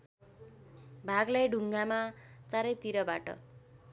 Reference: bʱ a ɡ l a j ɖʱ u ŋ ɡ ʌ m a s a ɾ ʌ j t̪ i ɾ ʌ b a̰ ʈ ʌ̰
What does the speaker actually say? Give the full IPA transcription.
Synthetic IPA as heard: bʱ a ɡ l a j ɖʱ u ŋ ɡ a m a t͡s a ɾ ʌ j t̪ i ɾ ʌ b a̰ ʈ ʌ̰